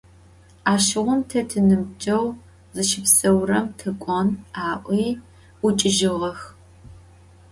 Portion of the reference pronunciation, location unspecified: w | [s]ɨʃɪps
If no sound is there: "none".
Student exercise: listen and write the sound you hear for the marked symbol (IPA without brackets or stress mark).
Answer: z